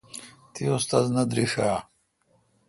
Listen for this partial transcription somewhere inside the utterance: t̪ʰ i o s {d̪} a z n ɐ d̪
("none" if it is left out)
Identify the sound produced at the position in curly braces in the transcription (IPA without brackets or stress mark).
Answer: t̪